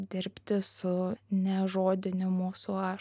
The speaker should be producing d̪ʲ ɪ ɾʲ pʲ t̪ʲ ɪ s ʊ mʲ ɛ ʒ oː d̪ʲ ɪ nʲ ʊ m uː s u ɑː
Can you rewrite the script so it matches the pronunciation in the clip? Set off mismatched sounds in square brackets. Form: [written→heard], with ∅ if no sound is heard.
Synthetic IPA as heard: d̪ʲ ɪ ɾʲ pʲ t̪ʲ ɪ s ʊ [mʲ→nʲ] ɛ ʒ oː d̪ʲ ɪ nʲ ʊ m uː s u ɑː